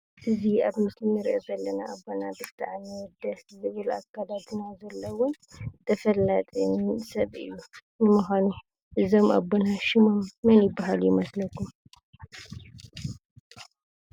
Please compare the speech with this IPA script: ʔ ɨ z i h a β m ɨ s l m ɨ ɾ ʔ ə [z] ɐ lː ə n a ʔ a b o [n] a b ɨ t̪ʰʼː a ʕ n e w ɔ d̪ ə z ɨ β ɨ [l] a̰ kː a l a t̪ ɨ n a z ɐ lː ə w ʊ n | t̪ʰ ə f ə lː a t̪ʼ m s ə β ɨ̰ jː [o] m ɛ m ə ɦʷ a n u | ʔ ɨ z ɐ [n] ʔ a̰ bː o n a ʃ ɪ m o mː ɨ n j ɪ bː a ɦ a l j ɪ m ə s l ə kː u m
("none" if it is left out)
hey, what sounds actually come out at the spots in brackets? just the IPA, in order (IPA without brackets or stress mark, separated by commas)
z, n, l, u, m